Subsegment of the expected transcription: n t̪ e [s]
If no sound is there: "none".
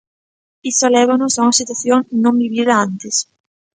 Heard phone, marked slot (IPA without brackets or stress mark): s